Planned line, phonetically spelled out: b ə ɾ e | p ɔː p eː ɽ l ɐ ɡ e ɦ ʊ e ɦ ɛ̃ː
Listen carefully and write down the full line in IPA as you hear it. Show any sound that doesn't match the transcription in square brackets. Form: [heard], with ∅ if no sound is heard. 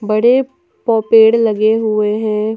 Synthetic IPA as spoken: b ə [ɽ] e | p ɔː p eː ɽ l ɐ ɡ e ɦ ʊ e ɦ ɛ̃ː